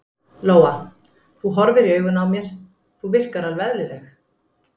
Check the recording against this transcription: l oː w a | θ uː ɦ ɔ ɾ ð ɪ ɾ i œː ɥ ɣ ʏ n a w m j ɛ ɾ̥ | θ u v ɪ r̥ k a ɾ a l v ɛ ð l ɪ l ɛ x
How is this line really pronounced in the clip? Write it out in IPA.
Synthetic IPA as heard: l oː w a | θ u ɦ ɔ ɾ v ɪ ɾ i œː ɥ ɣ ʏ n a w m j ɛ ɾ̥ | θ u v ɪ r̥ k a ɾ a l v ɛ ð l ɪ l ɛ x